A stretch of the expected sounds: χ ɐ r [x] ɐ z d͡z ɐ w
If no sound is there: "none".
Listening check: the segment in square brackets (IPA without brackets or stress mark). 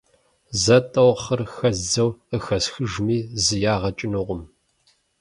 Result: x